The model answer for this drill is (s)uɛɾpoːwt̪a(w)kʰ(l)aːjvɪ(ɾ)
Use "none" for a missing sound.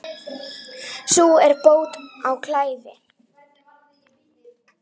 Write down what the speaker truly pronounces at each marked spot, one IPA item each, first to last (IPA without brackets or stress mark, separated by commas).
s, w, l, none